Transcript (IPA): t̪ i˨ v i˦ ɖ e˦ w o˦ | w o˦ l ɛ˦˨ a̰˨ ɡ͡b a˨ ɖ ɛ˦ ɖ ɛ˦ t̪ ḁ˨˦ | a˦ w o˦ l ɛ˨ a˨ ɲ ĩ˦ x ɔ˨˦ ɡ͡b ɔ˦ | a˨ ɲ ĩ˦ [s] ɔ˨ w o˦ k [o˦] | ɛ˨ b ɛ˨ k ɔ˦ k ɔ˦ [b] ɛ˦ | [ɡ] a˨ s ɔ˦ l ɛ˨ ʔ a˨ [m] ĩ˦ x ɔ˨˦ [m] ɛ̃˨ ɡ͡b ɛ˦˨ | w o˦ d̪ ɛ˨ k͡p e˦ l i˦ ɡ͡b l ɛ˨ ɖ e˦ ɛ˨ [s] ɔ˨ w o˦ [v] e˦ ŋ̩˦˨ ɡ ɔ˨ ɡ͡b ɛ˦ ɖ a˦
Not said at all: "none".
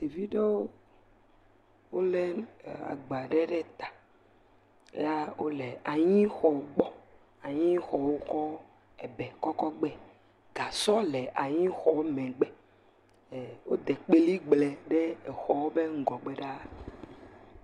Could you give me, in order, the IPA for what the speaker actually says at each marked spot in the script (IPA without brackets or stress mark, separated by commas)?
x, ɔ˦, ɡ͡b, ɡ, ɲ, m, x, b